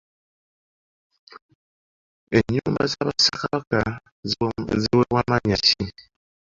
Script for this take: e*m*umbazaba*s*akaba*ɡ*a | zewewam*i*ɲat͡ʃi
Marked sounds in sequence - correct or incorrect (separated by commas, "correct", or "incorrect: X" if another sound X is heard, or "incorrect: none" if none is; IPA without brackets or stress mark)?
incorrect: ɲ, correct, incorrect: k, incorrect: a